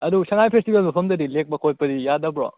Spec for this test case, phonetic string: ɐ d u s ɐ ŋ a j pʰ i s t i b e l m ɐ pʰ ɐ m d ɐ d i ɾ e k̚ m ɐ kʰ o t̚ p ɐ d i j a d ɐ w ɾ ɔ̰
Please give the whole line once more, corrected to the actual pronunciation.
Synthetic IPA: ɐ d u s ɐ ŋ a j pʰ e s t i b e l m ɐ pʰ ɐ m d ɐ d i l e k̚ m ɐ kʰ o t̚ p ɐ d i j a d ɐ b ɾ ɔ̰